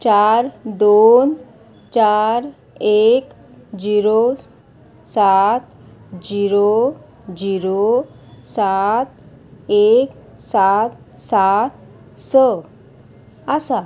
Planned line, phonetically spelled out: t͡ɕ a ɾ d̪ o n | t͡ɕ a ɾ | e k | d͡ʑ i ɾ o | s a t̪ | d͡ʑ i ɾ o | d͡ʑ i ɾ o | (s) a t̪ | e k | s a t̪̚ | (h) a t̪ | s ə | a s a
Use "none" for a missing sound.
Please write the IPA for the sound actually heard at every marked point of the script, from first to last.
s, s

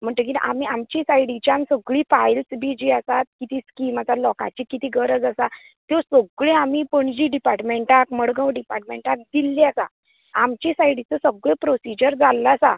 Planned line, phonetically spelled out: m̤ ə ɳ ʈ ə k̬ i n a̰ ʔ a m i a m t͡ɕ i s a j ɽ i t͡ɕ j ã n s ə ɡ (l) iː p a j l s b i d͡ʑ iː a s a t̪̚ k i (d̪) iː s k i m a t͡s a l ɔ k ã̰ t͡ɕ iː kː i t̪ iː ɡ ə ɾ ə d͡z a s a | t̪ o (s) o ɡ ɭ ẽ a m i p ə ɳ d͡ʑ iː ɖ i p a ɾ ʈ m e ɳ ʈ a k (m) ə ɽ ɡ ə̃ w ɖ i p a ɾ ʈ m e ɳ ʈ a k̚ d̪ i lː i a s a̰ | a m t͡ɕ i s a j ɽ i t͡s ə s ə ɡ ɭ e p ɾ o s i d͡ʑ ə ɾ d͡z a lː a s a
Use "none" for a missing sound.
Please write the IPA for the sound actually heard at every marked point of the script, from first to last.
ɭ, t̪, s, m

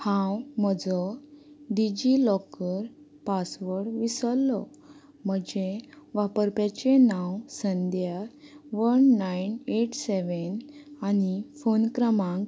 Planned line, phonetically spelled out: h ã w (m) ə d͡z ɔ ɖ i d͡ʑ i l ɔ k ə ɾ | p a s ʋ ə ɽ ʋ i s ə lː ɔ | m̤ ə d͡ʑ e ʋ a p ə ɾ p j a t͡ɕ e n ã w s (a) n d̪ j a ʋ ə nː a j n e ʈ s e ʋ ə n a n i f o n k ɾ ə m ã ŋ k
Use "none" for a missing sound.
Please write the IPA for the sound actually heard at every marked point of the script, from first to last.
m, ə

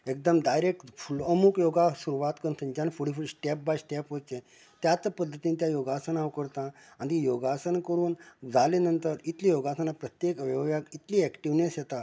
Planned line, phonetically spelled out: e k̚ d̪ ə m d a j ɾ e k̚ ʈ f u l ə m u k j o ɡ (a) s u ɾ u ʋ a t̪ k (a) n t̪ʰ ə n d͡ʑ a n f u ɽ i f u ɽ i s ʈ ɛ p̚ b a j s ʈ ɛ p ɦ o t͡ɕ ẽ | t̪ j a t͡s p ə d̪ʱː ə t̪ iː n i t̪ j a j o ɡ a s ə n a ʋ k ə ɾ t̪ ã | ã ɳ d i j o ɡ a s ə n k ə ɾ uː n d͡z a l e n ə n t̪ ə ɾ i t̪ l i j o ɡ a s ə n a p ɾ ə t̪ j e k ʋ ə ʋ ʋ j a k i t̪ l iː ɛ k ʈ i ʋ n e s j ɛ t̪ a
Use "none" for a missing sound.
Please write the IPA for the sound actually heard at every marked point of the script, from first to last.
a, ə

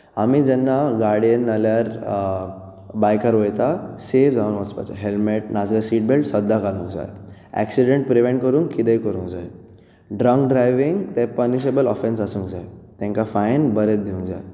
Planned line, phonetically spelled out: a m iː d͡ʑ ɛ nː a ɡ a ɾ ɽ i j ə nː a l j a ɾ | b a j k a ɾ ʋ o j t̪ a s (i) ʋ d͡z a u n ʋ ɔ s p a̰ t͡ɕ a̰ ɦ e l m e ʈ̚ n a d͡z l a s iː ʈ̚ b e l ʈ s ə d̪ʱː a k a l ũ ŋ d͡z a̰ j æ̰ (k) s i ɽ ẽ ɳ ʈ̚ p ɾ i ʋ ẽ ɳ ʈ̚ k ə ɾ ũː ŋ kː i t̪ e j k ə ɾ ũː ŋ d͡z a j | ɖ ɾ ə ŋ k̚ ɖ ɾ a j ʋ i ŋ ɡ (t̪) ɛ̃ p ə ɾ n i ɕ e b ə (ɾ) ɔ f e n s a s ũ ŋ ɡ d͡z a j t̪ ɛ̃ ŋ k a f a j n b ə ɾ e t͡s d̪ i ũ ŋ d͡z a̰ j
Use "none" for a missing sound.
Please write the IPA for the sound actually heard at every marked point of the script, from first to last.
e, k, t̪, l

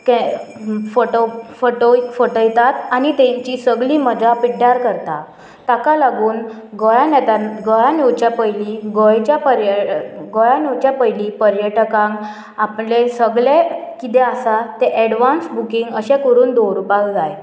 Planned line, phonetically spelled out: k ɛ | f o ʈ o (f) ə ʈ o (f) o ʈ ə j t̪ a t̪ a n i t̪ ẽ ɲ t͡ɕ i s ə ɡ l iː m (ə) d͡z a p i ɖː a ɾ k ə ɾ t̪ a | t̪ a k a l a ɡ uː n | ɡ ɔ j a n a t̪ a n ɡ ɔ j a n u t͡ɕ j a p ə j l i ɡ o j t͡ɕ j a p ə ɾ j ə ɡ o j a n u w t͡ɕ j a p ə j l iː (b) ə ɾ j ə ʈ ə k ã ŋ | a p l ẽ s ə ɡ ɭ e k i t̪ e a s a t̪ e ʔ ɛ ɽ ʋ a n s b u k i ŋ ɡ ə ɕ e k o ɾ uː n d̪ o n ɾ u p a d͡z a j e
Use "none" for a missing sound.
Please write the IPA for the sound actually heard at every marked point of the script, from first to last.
f, f, ə, p

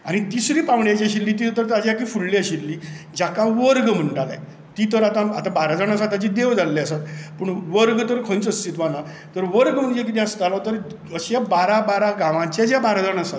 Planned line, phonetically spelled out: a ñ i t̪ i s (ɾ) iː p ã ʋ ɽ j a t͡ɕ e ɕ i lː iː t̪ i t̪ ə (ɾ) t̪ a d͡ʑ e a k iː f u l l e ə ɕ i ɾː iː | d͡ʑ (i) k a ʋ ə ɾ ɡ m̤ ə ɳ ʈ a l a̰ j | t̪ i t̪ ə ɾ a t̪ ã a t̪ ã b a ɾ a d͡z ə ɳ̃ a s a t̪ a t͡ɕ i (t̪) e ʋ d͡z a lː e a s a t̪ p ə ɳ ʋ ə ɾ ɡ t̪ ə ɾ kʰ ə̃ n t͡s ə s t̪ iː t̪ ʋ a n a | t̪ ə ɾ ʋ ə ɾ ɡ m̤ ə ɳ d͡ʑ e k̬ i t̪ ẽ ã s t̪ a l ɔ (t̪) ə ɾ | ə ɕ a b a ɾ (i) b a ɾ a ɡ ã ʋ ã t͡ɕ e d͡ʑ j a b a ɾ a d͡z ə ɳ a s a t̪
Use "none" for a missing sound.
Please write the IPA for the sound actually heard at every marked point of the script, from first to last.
ɾ, ɾ, a, d̪, t̪, a

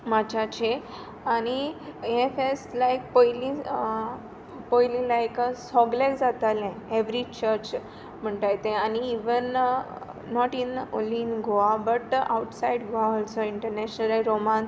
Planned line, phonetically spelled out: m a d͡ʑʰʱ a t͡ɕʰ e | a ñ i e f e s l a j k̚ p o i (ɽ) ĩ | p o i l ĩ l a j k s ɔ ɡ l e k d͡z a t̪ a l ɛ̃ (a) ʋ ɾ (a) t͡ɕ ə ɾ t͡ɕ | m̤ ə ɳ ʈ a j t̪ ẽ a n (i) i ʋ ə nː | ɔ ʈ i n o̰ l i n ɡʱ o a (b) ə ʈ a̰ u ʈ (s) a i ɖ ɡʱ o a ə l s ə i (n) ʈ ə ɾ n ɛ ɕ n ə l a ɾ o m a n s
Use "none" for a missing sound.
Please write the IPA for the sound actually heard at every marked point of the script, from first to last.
l, e, i, i, b, s, ɳ

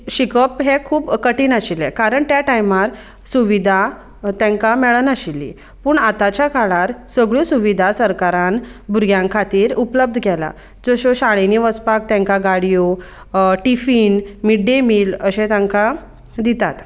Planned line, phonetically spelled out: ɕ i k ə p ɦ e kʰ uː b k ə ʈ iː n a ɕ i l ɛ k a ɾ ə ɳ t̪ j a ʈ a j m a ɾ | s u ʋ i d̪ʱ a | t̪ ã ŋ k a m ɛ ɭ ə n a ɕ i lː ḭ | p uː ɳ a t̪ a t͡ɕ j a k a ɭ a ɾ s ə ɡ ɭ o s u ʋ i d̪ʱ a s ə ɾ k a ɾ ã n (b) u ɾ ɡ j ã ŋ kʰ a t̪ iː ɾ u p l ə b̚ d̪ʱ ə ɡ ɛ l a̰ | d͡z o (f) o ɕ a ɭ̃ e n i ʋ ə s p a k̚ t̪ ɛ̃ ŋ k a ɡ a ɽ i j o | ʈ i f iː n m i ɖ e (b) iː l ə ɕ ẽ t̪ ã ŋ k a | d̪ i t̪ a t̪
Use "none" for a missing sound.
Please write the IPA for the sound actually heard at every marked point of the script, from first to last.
b, ɕ, m

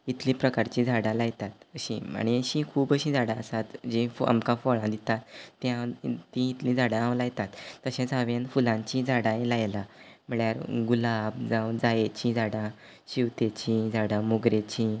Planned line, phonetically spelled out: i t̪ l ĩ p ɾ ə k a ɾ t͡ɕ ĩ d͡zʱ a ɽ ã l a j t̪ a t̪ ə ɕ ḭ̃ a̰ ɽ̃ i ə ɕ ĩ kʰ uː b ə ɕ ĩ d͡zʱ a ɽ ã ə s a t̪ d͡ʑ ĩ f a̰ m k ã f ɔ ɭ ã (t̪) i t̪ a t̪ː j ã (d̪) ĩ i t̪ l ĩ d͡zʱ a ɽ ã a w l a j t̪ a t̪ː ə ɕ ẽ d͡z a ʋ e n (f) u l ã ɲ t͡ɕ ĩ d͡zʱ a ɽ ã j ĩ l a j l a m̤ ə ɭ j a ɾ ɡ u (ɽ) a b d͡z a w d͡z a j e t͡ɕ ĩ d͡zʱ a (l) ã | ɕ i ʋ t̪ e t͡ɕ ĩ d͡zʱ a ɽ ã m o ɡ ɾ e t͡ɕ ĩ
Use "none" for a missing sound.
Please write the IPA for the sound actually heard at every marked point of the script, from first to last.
d̪, t̪, f, l, ɽ

